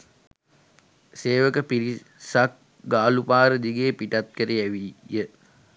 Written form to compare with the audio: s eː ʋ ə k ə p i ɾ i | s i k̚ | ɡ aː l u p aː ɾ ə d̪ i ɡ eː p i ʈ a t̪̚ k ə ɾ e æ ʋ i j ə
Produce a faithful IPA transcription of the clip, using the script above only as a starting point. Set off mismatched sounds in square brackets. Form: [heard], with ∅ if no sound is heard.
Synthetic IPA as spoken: s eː ʋ ə k ə p i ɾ i | s [a] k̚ | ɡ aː l u p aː ɾ ə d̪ i ɡ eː p i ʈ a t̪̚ k ə ɾ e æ ʋ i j ə